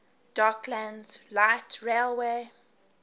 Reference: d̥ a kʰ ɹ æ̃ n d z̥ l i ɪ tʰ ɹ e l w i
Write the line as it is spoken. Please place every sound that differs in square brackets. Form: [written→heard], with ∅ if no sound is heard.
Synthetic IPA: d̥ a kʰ [ɹ→l] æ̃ n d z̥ l [i→a] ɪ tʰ ɹ e l w [i→e]